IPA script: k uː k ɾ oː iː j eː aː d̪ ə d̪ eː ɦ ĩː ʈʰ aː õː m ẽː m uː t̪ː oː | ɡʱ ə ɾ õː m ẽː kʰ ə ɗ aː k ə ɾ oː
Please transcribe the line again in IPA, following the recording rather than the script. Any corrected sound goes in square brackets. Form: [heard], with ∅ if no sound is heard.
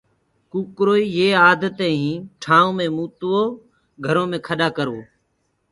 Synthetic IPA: k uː k ɾ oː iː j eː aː d̪ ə [t̪] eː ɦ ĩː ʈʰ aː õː m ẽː m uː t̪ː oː | ɡʱ ə ɾ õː m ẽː kʰ ə ɗ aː k ə ɾ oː